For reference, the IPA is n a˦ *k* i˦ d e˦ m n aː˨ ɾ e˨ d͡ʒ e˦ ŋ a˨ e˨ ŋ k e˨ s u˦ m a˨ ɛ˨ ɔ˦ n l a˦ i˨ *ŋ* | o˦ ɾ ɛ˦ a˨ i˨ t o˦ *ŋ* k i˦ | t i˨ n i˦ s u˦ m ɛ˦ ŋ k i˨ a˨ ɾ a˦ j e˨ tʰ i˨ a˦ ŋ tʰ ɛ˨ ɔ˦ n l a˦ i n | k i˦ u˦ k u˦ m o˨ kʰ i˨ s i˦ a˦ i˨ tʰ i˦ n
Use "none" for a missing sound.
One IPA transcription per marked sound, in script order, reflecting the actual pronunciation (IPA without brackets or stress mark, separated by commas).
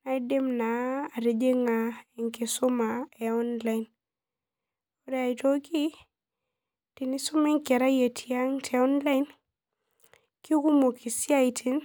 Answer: none, n, none